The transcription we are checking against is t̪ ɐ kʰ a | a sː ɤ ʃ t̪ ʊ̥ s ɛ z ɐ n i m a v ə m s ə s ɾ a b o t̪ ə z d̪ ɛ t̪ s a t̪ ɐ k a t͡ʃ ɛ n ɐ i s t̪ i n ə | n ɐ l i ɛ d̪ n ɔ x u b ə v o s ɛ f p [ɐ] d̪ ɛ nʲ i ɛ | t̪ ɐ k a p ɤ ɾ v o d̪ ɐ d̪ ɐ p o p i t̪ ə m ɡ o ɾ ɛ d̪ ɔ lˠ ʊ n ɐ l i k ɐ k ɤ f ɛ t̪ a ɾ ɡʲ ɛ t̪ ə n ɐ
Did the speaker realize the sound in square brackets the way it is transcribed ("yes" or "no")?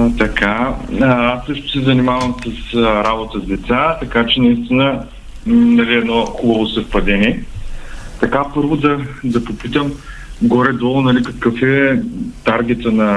yes